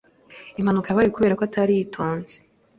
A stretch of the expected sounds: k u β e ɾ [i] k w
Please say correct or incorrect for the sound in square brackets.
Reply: incorrect